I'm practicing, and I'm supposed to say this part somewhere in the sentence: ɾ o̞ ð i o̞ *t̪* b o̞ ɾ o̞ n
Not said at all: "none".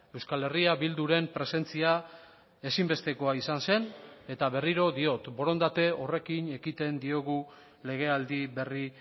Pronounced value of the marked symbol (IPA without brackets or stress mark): t̪